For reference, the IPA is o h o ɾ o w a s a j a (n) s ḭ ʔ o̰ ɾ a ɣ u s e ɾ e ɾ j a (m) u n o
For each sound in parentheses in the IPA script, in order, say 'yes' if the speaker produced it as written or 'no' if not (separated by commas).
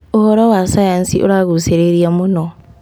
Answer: yes, yes